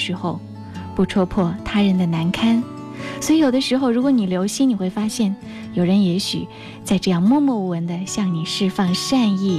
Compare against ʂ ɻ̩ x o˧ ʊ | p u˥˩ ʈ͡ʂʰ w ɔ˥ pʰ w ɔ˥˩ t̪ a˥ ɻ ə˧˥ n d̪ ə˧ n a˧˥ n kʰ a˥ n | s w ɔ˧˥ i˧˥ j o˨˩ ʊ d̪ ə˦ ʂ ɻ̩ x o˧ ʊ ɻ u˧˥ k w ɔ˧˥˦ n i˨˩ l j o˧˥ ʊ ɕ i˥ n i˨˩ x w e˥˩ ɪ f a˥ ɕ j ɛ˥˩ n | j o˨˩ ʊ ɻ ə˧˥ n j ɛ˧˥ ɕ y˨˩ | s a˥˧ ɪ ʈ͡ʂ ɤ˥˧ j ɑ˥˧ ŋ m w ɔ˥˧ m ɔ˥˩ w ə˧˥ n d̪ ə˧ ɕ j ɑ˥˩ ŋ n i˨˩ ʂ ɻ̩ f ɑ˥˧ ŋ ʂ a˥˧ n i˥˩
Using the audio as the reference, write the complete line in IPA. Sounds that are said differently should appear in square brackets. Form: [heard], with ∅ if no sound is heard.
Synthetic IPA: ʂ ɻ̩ x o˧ ʊ | p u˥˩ ʈ͡ʂʰ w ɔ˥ pʰ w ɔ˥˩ [t̪ʰ] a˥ ɻ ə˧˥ n d̪ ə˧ n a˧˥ n kʰ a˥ n | s w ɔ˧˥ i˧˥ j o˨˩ ʊ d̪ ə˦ ʂ ɻ̩ x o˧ ʊ ɻ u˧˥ k w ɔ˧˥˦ n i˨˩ l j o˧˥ ʊ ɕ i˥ n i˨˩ x w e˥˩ ɪ f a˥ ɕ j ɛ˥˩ n | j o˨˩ ʊ ɻ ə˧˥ n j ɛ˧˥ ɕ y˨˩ | [t͡s] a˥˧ ɪ ʈ͡ʂ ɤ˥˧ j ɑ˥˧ ŋ m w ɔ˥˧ m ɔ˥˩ w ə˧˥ n d̪ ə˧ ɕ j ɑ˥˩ ŋ n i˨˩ ʂ ɻ̩ f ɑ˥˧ ŋ ʂ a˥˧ n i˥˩